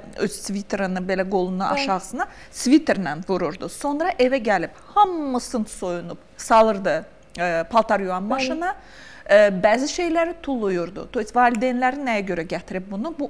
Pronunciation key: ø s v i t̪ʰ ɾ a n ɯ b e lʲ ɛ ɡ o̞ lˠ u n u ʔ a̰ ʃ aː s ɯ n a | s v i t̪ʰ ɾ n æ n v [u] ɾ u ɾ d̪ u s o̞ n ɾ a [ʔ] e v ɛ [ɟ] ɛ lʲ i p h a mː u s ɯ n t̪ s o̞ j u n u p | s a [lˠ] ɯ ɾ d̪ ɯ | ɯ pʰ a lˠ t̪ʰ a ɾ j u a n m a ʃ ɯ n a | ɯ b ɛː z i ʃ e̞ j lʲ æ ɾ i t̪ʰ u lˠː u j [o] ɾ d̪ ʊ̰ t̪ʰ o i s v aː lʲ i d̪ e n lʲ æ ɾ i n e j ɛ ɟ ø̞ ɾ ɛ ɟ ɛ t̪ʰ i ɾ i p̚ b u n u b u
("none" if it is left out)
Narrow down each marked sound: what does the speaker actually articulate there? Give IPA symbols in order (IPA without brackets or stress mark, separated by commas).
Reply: u, ʔ, ɟ, lˠ, u